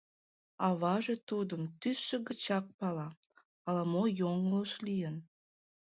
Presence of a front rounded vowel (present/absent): present